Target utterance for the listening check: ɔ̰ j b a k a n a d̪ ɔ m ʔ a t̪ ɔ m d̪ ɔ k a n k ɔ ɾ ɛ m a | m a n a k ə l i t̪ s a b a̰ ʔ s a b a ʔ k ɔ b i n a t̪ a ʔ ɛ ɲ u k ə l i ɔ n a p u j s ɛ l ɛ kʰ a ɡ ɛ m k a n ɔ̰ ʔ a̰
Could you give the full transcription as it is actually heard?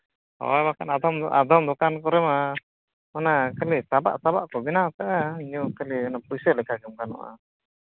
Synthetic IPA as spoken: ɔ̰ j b a k a n a d̪ ɔ m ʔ a d̪ ɔ m d̪ ɔ k a n k ɔ ɾ ɛ m a | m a n a k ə l i s a b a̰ ʔ s a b a ʔ k ɔ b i n a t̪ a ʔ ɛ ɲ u k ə l i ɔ n a p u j s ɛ l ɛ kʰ a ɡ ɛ m k a n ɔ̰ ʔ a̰